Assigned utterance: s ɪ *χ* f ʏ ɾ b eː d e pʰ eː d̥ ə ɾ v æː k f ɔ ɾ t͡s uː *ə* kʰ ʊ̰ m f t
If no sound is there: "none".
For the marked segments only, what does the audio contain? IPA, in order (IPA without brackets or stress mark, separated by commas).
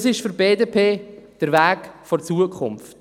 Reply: ʃ, ə